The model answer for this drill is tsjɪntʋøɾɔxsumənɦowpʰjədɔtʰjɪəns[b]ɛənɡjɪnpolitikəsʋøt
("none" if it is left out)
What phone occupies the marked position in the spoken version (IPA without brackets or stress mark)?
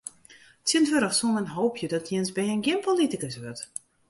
b